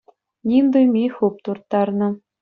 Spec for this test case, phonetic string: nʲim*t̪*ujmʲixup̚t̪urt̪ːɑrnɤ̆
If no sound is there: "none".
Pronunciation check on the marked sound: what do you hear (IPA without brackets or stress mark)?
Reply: d̪